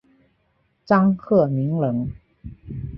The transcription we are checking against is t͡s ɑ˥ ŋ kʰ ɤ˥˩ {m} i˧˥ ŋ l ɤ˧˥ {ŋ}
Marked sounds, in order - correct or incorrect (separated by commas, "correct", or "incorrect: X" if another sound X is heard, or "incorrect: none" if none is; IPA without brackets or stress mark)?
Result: correct, correct